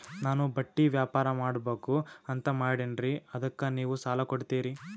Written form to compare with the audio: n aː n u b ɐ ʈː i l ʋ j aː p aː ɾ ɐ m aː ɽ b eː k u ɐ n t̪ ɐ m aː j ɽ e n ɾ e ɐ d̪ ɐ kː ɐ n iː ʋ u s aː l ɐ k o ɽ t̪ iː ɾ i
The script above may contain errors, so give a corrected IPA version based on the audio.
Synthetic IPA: n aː n u b ɐ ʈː i ʋ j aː p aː ɾ ɐ m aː ɽ b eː k u ɐ n t̪ ɐ m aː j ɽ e n ɾ i ɐ d̪ ɐ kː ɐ n iː ʋ u s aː l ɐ k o ɽ t̪ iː ɾ i